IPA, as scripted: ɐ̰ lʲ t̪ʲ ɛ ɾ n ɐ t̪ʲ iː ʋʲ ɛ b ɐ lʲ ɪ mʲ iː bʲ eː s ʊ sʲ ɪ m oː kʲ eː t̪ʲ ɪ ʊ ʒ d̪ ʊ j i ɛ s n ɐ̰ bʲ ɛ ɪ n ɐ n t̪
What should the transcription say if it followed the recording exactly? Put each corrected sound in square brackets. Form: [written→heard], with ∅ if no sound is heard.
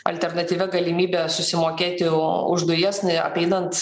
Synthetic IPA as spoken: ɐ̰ lʲ t̪ʲ ɛ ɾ n ɐ t̪ʲ iː ʋʲ ɛ [b→ɡ] ɐ lʲ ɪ mʲ iː bʲ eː s ʊ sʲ ɪ m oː kʲ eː t̪ʲ ɪ ʊ ʒ d̪ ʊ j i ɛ s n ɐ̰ [bʲ→pʲ] ɛ ɪ n ɐ n t̪